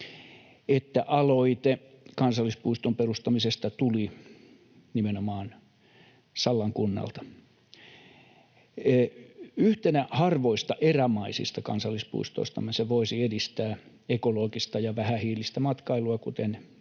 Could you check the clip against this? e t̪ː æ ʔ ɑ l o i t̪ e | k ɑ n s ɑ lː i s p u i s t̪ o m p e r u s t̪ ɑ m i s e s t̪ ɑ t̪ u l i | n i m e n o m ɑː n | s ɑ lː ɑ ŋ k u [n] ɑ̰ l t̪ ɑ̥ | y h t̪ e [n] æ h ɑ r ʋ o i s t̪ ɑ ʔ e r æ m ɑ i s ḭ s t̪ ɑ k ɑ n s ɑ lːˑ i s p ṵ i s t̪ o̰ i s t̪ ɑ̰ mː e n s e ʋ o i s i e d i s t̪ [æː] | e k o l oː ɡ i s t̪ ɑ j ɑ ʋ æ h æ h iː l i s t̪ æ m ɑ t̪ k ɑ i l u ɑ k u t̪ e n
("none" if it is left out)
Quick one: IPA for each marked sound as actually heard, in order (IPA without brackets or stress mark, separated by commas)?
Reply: nː, n, æː